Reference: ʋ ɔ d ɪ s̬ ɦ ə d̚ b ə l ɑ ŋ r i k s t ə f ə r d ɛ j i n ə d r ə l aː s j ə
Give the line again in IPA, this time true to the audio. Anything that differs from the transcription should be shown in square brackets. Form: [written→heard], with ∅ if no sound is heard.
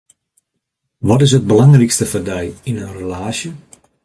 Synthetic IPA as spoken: ʋ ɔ [d→t] ɪ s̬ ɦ ə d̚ b ə l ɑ ŋ r i k s t ə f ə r d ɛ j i n ə [d→n] r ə l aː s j ə